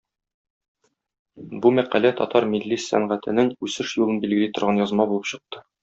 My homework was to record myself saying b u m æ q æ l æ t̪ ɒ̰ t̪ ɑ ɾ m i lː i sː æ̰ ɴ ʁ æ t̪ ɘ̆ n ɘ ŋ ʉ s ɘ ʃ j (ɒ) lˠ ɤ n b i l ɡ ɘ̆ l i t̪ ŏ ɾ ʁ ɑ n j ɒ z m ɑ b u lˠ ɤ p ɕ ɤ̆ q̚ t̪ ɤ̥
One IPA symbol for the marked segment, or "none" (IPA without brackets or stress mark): u